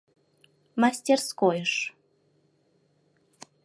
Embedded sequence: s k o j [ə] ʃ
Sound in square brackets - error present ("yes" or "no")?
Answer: no